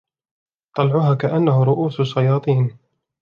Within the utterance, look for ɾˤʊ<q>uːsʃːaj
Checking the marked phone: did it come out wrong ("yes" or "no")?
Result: yes